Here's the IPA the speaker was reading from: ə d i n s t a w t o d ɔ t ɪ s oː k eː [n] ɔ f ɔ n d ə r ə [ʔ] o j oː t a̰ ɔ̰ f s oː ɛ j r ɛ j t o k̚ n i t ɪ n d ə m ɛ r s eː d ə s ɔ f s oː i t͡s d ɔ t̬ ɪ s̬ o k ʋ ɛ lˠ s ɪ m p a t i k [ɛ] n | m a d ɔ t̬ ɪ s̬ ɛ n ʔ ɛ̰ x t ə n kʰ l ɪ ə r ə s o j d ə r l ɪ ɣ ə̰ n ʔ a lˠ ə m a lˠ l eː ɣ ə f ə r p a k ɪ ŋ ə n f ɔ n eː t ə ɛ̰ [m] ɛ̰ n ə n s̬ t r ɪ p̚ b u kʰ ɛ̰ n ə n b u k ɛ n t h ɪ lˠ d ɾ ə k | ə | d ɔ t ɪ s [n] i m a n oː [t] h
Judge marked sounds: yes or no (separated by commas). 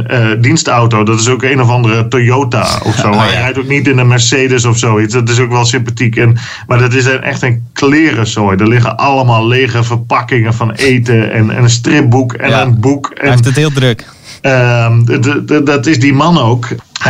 yes, no, yes, no, no, no